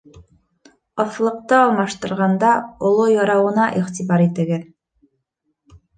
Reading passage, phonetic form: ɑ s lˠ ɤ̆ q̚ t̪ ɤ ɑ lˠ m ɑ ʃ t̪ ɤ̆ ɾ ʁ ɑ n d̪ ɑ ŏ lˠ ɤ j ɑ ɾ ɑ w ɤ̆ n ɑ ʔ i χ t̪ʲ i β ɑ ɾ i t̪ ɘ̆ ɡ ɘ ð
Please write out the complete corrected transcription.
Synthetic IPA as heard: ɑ θ lˠ ɤ̆ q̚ t̪ ɤ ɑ lˠ m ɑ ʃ t̪ ɤ̆ ɾ ʁ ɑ n d̪ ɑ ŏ lˠ o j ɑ ɾ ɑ w ɤ̆ n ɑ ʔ i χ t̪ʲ i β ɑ ɾ i t̪ ɘ̆ ɡ ɘ ð